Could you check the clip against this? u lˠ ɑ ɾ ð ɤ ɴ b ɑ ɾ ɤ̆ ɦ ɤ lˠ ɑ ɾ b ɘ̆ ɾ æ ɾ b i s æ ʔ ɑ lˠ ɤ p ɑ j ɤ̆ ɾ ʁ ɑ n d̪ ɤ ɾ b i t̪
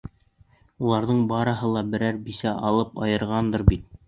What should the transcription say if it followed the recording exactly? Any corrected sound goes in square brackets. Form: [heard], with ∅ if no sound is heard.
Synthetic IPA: u lˠ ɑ ɾ ð ɤ ɴ b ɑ ɾ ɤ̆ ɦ ɤ lˠ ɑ [∅] b ɘ̆ ɾ æ ɾ b i s æ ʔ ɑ lˠ ɤ p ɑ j ɤ̆ ɾ ʁ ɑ n d̪ ɤ ɾ b i t̪